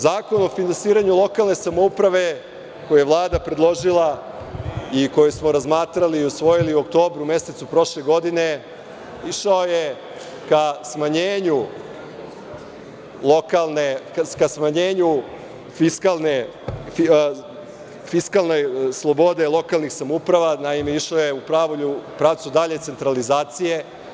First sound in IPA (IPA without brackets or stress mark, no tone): z